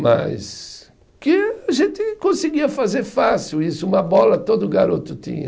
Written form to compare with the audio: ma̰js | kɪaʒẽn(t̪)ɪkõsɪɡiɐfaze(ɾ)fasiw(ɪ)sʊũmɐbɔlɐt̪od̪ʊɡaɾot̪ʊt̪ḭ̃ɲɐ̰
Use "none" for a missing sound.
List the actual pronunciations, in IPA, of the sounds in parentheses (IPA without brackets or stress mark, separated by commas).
t̪, ɾ, i